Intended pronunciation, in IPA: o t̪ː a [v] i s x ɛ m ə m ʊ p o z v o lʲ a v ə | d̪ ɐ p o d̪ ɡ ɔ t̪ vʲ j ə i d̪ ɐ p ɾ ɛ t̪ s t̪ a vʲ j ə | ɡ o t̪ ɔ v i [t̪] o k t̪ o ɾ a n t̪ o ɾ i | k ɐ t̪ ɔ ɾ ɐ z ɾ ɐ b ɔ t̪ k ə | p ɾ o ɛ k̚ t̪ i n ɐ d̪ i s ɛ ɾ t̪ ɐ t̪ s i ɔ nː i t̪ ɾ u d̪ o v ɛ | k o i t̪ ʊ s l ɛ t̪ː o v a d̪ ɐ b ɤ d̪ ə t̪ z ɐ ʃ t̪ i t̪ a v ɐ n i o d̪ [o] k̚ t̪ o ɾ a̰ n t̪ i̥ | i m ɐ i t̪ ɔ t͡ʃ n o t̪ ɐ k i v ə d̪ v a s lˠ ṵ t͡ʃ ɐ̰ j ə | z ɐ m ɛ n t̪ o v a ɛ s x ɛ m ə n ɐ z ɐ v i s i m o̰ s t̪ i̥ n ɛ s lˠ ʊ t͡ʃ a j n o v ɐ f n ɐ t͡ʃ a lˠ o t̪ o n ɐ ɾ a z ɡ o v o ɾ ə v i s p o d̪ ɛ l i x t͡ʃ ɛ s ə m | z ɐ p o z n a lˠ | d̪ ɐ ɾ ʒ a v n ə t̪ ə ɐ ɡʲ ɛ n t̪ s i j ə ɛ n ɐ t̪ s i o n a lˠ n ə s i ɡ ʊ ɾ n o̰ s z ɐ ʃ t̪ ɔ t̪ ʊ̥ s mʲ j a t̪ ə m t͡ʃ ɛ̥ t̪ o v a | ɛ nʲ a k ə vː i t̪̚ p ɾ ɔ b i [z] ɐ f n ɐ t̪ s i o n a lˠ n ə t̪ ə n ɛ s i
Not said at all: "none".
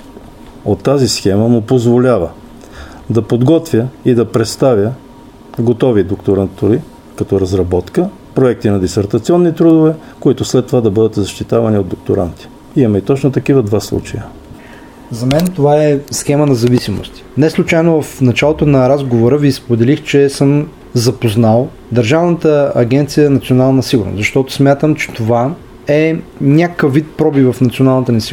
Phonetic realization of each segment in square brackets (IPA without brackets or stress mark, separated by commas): z, d̪, o, v